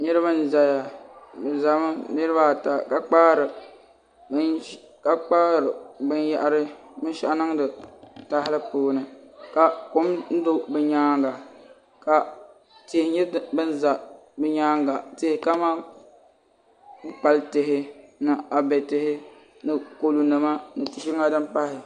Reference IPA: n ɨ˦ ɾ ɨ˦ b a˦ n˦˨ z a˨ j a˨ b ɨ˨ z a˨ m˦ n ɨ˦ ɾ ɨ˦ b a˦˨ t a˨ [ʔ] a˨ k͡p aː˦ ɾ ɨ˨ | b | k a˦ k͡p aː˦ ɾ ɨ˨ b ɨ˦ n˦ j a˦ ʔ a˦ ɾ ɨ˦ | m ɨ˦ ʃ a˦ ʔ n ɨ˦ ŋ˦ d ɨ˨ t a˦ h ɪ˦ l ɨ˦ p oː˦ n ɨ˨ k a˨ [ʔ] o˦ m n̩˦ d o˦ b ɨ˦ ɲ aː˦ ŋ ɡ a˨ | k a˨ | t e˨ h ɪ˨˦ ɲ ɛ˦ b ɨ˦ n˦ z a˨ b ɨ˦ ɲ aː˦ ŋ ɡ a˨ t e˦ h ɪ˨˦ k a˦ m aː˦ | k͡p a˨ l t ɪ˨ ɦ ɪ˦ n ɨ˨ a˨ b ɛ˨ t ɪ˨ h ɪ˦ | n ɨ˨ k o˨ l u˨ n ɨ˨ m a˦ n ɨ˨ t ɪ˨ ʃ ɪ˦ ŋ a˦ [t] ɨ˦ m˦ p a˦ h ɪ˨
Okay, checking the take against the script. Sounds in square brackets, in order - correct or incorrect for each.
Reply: incorrect: k, incorrect: k, incorrect: d

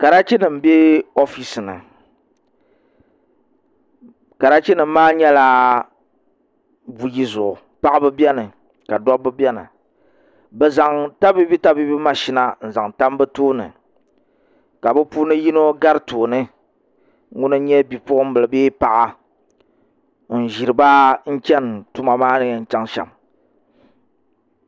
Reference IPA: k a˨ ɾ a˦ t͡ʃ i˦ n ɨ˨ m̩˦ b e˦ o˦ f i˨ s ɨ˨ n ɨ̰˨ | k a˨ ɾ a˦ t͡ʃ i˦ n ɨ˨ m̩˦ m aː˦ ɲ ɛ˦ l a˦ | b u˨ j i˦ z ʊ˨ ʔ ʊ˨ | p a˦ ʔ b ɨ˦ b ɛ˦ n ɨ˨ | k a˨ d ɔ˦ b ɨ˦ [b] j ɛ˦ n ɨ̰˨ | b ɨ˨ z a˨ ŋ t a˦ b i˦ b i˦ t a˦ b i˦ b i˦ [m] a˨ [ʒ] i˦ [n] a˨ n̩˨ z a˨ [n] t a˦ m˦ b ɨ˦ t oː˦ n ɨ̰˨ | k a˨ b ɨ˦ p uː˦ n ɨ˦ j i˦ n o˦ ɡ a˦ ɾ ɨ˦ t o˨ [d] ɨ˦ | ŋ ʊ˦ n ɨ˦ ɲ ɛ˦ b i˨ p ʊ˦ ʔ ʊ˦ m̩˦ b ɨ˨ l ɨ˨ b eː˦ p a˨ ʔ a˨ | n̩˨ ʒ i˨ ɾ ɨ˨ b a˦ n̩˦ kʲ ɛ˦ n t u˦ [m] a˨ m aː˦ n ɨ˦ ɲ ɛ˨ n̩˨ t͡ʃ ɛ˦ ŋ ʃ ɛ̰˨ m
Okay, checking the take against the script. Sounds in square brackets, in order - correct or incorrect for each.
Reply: correct, correct, incorrect: ʃ, correct, incorrect: ŋ, incorrect: n, correct

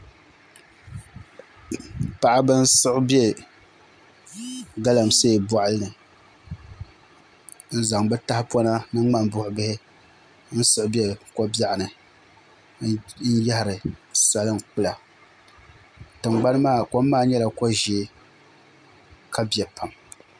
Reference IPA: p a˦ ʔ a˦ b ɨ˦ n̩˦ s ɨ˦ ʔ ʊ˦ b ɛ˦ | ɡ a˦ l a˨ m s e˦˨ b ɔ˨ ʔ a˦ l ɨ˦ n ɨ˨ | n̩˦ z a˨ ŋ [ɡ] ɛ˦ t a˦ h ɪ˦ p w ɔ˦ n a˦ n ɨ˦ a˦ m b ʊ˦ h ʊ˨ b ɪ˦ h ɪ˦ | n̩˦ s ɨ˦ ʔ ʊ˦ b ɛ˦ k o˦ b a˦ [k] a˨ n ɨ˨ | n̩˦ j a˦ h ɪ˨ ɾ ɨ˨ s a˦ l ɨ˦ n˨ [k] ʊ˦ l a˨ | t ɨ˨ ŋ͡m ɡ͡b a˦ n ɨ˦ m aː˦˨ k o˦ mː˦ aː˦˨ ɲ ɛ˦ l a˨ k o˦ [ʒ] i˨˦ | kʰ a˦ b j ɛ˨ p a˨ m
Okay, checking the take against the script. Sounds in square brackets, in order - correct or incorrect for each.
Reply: incorrect: b, incorrect: ʔ, incorrect: k͡p, correct

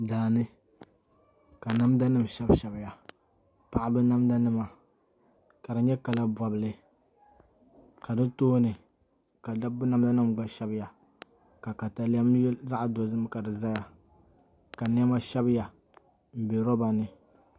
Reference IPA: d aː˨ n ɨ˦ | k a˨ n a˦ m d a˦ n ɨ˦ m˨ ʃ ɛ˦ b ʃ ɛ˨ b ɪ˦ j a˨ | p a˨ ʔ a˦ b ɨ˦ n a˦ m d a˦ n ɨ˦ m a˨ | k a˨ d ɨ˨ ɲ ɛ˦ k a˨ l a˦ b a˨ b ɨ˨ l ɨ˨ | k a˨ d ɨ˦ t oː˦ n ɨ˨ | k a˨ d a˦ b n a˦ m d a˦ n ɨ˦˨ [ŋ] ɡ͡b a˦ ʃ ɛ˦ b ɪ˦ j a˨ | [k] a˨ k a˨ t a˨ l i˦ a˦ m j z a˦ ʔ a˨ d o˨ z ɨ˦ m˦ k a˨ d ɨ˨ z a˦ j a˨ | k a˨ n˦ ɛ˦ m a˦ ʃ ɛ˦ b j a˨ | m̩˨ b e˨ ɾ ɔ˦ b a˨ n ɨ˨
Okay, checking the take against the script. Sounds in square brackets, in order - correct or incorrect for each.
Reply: incorrect: m, correct

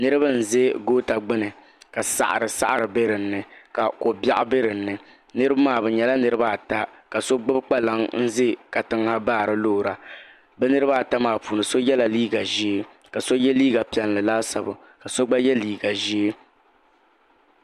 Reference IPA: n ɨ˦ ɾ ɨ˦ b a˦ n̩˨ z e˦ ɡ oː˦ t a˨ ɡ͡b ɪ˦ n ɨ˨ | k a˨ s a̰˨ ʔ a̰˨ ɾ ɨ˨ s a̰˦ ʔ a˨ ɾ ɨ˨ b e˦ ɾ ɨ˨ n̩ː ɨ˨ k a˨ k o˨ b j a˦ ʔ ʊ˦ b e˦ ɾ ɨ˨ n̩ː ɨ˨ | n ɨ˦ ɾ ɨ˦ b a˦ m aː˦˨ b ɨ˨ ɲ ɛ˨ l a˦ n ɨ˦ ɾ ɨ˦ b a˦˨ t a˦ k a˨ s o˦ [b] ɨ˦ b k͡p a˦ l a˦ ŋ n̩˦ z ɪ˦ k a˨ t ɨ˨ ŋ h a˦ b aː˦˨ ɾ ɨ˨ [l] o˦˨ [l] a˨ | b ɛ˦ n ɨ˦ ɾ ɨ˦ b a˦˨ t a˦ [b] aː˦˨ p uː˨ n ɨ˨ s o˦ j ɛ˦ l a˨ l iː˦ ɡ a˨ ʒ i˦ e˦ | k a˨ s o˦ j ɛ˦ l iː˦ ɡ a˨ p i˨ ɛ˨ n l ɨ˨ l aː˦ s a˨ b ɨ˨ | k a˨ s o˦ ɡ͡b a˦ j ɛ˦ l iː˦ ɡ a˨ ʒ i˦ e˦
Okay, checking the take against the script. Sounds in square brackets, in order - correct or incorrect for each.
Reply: incorrect: ɡ͡b, correct, incorrect: ɾ, incorrect: m

